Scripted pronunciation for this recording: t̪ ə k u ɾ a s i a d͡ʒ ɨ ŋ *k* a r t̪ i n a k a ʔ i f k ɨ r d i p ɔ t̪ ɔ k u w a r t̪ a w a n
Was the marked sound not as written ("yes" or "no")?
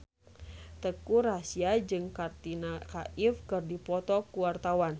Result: no